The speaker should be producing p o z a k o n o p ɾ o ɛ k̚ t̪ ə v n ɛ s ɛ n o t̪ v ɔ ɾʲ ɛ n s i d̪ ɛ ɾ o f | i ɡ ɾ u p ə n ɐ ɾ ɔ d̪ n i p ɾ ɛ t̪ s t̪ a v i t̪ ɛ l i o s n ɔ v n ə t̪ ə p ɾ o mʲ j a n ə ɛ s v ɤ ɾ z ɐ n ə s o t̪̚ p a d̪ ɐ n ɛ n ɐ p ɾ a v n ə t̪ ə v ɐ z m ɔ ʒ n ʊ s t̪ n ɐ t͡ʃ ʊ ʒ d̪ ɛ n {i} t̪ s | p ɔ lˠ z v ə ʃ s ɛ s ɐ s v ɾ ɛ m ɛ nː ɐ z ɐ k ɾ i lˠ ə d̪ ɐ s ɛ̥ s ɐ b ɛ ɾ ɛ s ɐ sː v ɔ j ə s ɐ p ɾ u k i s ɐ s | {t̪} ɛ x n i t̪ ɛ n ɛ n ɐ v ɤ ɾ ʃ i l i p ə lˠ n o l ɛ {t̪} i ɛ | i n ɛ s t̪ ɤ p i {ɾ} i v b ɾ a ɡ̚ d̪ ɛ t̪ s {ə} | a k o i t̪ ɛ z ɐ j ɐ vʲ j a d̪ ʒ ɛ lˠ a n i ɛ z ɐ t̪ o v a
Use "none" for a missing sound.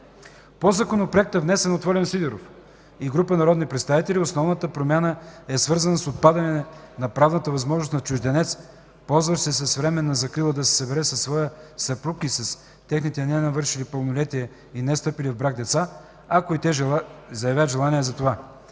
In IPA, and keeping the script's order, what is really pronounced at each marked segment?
ɛ, t̪, t̪, l, a

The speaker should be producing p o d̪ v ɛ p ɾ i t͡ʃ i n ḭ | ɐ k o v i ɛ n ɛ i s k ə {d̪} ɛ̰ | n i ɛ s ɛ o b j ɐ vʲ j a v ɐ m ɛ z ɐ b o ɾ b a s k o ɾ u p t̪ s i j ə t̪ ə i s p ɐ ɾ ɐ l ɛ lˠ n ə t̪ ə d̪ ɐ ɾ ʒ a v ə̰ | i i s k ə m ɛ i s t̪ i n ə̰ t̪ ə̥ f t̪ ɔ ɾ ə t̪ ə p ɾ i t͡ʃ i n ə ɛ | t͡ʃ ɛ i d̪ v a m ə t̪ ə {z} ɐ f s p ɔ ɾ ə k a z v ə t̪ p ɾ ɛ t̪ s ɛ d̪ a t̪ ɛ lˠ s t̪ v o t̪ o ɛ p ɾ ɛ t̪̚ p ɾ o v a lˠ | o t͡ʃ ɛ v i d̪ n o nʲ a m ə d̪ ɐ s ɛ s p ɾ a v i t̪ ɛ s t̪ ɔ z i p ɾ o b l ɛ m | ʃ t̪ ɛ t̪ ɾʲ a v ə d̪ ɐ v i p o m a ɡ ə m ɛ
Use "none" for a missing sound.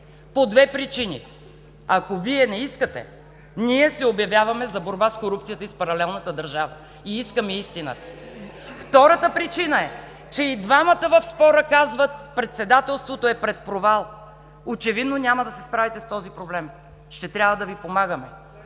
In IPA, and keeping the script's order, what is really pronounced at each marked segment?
t̪, v

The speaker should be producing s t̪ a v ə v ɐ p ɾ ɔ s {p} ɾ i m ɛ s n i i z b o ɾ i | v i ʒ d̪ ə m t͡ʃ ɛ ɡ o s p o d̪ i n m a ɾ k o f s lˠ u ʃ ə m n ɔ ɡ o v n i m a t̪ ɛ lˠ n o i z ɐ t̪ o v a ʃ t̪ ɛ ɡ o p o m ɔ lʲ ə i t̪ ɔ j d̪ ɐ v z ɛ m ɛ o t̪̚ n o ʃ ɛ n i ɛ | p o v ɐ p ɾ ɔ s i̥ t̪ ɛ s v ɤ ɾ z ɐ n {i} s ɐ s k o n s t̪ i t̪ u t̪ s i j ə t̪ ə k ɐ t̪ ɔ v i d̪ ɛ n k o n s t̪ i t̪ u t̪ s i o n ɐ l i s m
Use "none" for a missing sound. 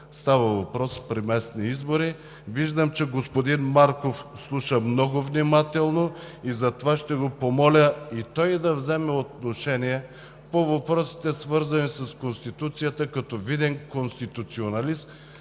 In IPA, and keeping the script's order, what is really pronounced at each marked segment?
p, i

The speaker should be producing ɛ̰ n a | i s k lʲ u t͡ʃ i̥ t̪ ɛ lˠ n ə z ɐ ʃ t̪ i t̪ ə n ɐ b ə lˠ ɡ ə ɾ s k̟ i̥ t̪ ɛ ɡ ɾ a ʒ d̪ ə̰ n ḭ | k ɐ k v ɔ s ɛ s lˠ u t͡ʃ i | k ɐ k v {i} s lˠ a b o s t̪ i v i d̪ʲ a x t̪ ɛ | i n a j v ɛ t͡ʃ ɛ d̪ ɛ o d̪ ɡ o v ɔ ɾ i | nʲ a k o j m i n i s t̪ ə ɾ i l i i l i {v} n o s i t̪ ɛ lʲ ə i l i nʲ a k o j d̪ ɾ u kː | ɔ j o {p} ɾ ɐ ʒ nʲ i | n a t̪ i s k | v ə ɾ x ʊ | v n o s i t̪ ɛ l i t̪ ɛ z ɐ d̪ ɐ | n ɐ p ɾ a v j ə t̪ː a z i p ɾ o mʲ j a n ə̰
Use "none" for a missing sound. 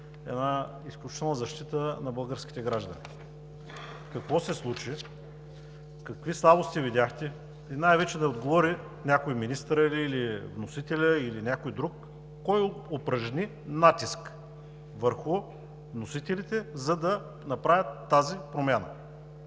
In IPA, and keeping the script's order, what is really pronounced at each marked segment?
i, v, p

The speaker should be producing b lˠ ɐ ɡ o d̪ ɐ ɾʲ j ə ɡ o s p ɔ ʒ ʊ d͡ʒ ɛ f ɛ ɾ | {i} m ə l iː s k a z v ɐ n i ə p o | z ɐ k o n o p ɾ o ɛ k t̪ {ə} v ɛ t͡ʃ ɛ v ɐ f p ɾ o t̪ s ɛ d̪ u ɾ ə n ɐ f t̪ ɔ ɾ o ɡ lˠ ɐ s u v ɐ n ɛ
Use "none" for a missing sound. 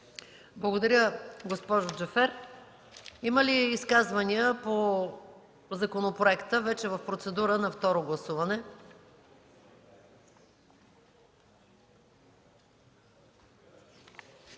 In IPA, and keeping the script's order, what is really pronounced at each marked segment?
i, ə

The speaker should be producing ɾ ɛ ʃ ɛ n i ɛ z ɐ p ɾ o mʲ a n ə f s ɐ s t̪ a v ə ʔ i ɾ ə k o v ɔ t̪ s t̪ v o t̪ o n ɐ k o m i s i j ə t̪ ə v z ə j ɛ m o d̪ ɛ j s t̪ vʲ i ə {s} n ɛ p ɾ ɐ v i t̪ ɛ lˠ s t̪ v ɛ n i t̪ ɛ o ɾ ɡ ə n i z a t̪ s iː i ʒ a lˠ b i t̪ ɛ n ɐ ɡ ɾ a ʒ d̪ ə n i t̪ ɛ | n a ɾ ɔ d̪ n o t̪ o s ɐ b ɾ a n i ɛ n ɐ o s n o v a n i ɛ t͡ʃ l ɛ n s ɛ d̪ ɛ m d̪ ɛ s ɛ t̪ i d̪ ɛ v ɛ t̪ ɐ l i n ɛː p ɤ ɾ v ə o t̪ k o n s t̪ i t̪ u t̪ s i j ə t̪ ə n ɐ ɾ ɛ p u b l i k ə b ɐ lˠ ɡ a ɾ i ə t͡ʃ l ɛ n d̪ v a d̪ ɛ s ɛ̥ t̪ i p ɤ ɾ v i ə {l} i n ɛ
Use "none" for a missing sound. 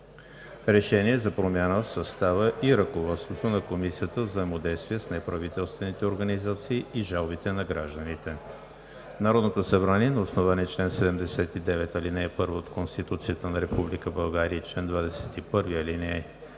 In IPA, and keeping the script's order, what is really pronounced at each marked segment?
s, l

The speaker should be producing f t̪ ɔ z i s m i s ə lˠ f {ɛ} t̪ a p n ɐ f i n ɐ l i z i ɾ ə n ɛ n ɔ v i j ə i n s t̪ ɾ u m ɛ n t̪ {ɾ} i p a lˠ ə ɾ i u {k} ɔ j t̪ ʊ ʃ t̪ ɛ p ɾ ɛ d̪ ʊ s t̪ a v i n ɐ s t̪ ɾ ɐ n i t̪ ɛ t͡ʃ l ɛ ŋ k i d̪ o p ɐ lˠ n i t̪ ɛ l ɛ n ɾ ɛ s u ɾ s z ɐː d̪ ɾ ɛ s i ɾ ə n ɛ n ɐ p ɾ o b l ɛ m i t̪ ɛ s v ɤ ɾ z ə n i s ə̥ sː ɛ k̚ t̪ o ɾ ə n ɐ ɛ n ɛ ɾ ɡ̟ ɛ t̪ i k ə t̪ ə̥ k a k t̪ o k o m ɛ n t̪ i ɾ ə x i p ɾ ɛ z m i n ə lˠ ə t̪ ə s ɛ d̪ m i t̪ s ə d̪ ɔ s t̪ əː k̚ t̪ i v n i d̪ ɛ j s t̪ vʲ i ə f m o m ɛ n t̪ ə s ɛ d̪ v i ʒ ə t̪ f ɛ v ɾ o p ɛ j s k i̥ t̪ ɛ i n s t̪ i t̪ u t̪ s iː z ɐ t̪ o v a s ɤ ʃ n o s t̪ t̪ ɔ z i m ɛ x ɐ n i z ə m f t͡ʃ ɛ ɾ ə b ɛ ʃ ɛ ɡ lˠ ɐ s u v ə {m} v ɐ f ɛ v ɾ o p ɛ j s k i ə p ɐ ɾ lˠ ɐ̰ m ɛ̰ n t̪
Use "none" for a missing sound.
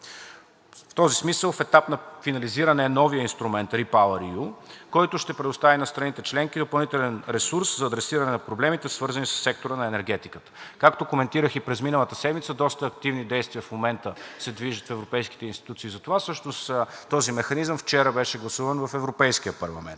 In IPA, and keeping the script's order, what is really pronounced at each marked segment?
ɛ, ɾ, k, n

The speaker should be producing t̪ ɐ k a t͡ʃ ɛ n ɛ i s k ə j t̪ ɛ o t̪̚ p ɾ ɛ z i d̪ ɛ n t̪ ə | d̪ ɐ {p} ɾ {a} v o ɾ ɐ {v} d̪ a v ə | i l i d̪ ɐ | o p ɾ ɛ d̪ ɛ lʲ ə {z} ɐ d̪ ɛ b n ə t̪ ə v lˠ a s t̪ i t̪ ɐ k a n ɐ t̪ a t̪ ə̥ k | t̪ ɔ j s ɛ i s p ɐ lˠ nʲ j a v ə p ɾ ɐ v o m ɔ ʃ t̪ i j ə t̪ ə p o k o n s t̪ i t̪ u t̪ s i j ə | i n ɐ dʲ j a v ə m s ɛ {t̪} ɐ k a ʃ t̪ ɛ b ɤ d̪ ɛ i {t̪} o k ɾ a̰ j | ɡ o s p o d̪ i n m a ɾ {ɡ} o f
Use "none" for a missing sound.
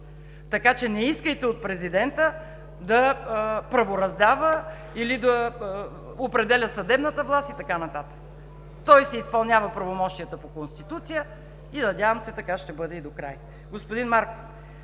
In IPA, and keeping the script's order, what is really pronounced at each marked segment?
p, ɐ, z, s, t̪, d̪, k

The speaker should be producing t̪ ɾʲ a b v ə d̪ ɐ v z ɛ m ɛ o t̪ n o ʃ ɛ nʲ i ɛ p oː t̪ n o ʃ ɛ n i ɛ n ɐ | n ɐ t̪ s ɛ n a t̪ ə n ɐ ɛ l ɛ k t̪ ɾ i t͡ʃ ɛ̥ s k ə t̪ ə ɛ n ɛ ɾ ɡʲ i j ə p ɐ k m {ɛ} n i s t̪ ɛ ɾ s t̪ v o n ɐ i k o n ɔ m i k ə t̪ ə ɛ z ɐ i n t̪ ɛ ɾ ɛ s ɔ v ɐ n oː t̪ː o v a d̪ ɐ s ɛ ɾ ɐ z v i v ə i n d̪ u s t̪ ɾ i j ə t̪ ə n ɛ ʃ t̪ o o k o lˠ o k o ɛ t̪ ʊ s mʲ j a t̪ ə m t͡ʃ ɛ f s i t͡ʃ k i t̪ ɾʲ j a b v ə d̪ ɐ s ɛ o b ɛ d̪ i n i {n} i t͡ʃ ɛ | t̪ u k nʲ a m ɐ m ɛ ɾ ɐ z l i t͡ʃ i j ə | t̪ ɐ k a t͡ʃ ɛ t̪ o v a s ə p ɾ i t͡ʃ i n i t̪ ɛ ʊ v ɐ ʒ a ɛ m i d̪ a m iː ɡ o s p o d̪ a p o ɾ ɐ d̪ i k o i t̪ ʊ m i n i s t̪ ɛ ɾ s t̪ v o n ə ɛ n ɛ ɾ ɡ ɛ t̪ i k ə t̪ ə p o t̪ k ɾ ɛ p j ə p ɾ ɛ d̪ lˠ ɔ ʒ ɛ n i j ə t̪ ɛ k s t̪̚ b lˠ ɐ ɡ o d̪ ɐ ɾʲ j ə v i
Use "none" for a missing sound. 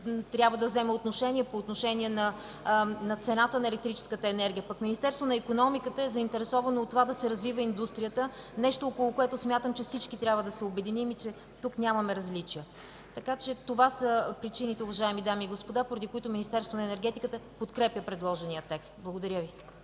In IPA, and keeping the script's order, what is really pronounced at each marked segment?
i, m

